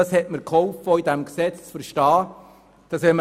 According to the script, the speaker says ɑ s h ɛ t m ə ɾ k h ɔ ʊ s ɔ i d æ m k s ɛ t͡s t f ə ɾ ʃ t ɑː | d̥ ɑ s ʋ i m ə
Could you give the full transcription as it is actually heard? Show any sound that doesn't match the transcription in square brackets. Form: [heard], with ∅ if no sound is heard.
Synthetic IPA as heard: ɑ s h ɛ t m ə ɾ k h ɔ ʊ [f] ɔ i d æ m k s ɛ t͡s [t͡s] f ə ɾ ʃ t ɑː | d̥ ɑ s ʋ [ɛ] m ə